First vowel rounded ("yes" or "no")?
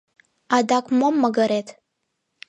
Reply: no